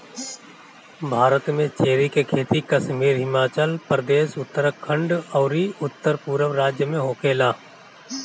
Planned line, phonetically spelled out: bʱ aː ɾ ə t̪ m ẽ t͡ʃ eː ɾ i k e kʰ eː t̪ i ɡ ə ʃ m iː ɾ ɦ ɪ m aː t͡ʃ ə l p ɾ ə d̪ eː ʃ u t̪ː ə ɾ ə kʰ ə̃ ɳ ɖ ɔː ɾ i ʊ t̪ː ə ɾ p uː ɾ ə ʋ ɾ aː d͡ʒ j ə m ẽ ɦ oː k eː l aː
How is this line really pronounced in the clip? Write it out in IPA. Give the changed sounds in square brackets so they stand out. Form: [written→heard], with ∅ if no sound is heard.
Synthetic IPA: bʱ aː ɾ ə t̪ m ẽ t͡ʃ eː ɾ i k e kʰ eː t̪ i [ɡ→k] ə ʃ m iː ɾ ɦ ɪ m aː t͡ʃ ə l p ɾ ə d̪ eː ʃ [u→ʊ] t̪ː ə ɾ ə kʰ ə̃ ɳ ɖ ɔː ɾ i ʊ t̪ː ə ɾ p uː ɾ ə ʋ ɾ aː d͡ʒ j ə m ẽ ɦ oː k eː l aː